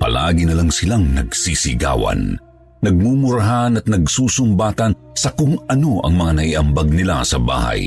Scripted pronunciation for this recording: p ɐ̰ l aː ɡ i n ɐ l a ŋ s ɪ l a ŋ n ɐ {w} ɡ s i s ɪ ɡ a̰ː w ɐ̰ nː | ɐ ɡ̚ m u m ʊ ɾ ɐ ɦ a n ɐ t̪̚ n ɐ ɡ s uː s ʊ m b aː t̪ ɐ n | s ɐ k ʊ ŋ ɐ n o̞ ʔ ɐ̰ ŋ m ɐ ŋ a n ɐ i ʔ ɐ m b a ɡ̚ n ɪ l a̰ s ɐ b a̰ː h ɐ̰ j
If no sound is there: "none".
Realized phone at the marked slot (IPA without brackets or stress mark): none